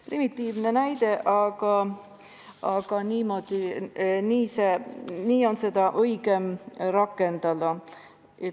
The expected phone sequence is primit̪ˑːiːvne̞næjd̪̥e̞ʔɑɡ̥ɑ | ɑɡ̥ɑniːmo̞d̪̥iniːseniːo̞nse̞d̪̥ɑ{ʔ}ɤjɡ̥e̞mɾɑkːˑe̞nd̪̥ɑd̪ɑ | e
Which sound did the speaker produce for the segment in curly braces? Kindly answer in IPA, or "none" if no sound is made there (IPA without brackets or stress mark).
ʔ